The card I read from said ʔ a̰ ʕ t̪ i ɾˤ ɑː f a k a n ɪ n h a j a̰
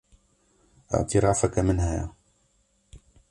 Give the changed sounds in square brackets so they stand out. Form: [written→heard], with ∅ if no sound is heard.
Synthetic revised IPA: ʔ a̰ ʕ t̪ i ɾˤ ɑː f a k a [n→m] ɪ n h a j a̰